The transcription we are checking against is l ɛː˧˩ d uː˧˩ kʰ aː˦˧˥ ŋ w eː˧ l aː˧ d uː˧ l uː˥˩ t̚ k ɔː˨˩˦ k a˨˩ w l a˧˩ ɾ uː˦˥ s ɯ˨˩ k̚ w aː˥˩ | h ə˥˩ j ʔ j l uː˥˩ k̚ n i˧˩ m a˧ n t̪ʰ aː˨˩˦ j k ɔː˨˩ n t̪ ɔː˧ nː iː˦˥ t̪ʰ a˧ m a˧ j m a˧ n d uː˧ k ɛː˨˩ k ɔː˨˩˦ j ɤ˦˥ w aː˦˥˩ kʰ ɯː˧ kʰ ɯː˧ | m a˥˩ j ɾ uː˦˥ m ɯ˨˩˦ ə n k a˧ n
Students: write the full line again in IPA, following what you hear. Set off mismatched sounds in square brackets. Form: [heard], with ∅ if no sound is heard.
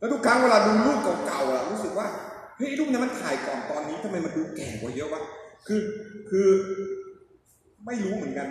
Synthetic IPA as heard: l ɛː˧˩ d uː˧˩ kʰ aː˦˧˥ ŋ w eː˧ l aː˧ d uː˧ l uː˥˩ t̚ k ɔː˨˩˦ k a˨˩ w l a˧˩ ɾ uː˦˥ s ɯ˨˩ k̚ w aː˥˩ | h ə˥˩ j ʔ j l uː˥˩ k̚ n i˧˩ m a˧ n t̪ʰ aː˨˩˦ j k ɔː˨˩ n t̪ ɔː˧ nː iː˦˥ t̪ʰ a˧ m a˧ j m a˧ n d uː˧ k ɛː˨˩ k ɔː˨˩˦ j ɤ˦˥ w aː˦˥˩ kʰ ɯː˧ kʰ ɯː˧ | m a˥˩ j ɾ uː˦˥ m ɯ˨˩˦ ə n k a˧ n